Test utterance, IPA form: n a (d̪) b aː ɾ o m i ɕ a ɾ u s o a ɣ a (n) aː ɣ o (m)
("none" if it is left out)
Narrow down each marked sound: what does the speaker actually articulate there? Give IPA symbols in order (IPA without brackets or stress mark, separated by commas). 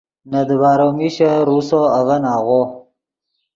d̪, n, none